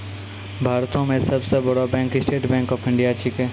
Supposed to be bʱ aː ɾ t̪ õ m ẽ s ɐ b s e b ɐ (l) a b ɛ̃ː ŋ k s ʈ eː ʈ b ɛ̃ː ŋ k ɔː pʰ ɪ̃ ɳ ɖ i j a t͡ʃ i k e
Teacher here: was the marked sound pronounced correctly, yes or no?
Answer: no